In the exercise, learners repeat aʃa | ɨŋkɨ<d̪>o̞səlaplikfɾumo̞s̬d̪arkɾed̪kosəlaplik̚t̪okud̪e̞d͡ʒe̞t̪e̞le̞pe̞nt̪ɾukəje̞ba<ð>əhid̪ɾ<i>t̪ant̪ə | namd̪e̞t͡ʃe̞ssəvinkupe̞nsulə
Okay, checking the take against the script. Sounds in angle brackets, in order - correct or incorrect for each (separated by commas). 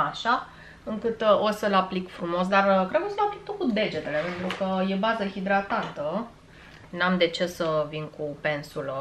incorrect, incorrect, incorrect